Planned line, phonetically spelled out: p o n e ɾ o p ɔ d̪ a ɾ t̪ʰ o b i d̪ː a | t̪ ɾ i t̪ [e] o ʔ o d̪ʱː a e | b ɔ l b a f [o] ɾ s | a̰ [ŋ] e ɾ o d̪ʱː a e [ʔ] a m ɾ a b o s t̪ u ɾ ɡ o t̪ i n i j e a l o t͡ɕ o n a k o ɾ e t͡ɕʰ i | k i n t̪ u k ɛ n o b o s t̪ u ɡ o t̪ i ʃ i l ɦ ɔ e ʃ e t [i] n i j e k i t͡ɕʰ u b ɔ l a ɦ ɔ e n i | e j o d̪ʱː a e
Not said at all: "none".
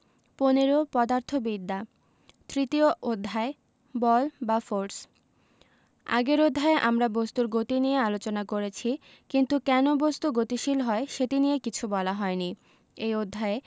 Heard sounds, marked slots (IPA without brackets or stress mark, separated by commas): i, o, ɡ, ʔ, i